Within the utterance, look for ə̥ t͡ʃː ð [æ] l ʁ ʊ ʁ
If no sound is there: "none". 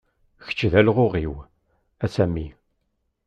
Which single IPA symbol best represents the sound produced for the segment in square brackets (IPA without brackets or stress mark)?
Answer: æ